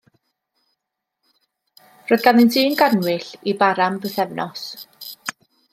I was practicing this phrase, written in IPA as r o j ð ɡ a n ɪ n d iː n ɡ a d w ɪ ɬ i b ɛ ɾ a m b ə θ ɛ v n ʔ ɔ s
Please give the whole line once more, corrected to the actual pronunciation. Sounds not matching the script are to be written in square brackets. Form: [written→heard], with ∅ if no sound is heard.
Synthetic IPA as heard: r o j ð ɡ a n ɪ n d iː n ɡ a [d→n] w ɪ ɬ i b [ɛ→a] ɾ a m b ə θ ɛ v n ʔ ɔ s